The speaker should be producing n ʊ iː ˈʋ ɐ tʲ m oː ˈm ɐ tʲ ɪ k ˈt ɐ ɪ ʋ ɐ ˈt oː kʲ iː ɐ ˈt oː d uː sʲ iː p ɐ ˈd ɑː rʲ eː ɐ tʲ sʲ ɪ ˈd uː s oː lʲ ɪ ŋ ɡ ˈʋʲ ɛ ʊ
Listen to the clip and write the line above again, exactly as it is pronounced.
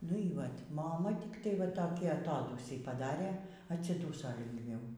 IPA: n ʊ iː ˈʋ ɐ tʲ m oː ˈm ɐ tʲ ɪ k ˈt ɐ ɪ ʋ ɐ ˈt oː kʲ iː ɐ ˈt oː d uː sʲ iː p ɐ ˈd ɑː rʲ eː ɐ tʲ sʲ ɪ ˈd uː s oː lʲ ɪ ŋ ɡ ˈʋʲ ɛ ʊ